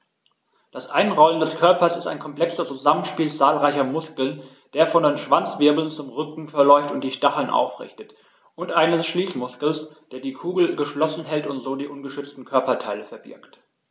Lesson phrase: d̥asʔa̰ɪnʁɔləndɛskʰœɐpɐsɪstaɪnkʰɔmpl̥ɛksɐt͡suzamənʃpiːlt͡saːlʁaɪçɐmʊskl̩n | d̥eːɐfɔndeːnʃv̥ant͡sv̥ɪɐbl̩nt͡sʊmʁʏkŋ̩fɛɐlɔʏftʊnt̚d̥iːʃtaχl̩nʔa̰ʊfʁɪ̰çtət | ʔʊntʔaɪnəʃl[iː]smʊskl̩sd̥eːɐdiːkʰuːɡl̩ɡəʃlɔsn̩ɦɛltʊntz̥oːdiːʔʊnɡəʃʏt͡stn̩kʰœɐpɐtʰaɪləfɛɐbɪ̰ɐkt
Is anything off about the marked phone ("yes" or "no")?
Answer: no